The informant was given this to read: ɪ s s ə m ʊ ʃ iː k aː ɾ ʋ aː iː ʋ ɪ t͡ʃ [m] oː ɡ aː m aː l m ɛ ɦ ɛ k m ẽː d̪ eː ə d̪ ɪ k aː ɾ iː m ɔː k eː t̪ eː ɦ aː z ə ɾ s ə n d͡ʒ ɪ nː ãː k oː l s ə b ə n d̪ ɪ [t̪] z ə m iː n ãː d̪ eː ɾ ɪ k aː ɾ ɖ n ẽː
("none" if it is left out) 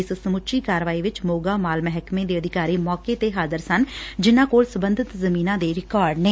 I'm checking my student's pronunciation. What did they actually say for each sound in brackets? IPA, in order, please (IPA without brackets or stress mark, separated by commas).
m, t̪